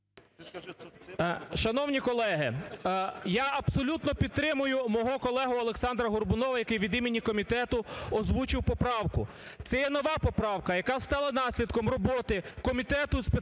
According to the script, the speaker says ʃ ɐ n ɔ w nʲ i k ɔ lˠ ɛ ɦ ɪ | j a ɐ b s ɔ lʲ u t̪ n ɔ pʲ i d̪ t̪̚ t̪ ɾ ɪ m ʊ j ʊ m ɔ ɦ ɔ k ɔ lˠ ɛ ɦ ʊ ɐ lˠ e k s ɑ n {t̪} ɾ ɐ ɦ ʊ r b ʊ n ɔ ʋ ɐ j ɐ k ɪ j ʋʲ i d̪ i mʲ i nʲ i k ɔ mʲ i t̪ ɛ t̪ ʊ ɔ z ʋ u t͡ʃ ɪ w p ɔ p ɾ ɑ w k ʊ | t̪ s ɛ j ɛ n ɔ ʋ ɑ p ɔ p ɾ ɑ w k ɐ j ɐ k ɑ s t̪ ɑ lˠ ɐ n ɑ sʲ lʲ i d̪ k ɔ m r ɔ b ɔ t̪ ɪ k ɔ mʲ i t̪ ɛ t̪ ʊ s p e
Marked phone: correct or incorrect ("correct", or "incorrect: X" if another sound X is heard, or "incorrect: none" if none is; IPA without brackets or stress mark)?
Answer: incorrect: d̪